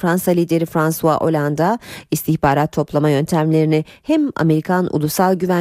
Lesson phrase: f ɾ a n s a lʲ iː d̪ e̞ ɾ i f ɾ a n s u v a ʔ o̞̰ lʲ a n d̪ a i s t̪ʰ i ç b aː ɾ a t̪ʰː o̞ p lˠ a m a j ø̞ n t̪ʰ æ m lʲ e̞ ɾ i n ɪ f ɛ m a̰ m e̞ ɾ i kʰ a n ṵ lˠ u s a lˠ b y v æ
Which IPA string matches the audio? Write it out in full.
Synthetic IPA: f ɾ a n s a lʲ iː d̪ e̞ ɾ i f ɾ a n s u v a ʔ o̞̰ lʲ a n d̪ a i s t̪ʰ i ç b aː ɾ a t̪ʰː o̞ p lˠ a m a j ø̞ n t̪ʰ æ m lʲ e̞ ɾ i n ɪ h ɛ m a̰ m e̞ ɾ i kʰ a n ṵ lˠ u s a lˠ ɟ y v æ